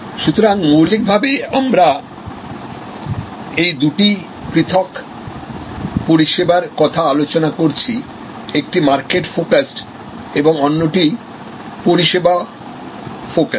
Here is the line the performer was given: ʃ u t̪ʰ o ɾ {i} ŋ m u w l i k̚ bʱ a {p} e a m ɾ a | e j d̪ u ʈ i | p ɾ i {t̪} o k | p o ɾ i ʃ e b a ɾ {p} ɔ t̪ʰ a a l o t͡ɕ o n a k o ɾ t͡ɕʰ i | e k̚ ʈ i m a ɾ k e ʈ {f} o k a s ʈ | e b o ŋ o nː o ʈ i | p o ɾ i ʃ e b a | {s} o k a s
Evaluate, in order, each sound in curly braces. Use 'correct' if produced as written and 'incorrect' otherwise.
incorrect, incorrect, incorrect, incorrect, correct, incorrect

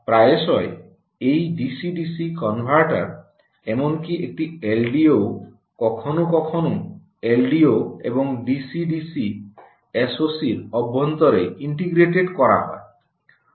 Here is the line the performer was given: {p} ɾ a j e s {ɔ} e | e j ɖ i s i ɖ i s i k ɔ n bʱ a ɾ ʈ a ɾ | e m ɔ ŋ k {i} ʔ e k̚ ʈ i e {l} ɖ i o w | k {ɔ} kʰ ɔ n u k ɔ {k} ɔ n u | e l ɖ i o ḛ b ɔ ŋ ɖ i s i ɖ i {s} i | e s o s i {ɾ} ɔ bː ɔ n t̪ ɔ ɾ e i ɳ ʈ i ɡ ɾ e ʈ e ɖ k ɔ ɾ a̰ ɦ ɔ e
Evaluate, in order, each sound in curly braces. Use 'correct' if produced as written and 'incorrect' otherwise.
correct, correct, correct, correct, correct, incorrect, correct, correct

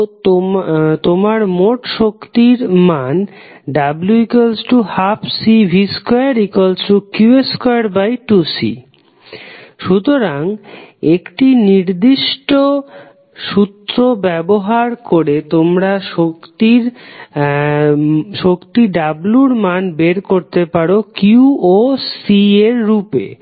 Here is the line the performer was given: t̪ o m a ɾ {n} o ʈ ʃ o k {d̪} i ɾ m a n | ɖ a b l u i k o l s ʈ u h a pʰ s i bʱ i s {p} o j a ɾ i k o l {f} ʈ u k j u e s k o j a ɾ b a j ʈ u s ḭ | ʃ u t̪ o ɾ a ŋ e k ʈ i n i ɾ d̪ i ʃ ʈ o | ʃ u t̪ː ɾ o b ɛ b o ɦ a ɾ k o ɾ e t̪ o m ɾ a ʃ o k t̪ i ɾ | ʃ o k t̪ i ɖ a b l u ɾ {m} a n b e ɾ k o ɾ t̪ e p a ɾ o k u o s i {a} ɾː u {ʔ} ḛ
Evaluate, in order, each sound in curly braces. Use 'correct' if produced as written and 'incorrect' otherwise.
incorrect, incorrect, incorrect, incorrect, correct, incorrect, incorrect

